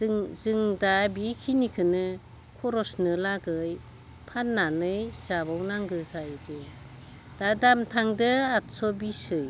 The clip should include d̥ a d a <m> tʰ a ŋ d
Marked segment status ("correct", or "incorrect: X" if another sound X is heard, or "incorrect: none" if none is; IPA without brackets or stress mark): correct